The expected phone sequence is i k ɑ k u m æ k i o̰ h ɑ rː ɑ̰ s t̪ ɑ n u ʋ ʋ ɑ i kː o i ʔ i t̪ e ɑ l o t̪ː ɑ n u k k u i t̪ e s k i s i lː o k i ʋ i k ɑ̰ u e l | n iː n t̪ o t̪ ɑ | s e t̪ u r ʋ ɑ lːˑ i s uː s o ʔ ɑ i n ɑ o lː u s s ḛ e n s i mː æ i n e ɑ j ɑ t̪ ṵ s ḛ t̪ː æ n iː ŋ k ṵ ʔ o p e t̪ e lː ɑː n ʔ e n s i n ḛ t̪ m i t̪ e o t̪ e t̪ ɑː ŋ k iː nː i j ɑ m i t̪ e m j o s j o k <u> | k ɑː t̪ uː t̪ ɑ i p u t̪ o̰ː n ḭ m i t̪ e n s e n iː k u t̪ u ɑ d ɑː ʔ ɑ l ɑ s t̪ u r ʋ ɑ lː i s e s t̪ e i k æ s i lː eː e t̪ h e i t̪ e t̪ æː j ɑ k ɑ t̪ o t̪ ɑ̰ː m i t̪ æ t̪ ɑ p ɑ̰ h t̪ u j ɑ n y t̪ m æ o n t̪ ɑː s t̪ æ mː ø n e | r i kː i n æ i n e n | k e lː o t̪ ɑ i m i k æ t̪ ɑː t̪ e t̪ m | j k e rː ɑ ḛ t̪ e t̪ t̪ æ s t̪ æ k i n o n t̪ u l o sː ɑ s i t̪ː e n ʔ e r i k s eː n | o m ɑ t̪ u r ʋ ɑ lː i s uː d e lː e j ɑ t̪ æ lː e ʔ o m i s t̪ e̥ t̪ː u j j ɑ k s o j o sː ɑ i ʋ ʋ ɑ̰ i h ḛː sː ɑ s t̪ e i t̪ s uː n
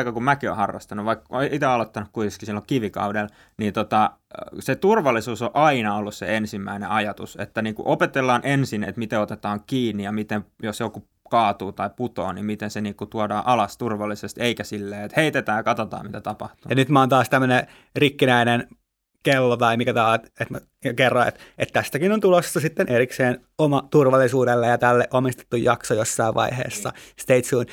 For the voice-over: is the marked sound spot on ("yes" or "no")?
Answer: yes